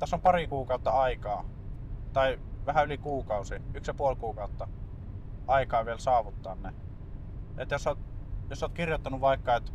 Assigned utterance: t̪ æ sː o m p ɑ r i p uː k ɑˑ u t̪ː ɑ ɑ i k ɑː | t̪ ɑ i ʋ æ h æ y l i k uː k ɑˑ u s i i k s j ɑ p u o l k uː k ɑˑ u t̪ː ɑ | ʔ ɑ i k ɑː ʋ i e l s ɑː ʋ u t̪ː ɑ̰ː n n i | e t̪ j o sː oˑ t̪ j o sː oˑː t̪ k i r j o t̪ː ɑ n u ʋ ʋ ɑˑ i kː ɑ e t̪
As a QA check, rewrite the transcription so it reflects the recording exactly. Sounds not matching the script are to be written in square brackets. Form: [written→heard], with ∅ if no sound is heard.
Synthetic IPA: t̪ æ sː o m p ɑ r i [p→k] uː k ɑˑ u t̪ː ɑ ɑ i k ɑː | t̪ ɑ i ʋ æ h æ y l i k uː k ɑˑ u s i [i→y] k s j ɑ p u o l k uː k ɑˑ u t̪ː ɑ | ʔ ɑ i k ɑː ʋ i e l s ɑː ʋ u t̪ː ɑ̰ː n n [i→e] | e t̪ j o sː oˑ t̪ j o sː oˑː t̪ k i r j o t̪ː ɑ n u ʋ ʋ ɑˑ i kː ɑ e t̪